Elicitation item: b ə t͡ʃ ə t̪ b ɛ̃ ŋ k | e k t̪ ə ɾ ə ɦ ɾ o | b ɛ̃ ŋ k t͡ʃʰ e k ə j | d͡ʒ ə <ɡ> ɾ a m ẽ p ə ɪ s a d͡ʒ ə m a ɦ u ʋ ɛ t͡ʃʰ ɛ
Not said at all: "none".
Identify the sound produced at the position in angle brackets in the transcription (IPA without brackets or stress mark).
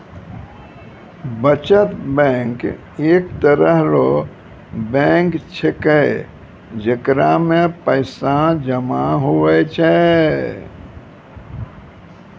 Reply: k